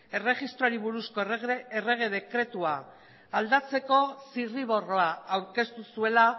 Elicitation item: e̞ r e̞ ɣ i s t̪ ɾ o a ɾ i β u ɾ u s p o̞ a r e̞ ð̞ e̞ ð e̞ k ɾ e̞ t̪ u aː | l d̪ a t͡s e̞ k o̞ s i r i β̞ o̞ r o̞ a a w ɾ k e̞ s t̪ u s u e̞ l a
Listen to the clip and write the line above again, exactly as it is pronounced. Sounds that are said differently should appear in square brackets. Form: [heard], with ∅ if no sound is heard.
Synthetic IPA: e̞ r e̞ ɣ i s t̪ ɾ o a ɾ i β u ɾ u s [k] o̞ [e] r e̞ [ɣ̞] e̞ ð e̞ k ɾ e̞ t̪ u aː | l d̪ a t͡s e̞ k o̞ s i r i β̞ o̞ r o̞ a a w ɾ k e̞ s t̪ u s u e̞ l a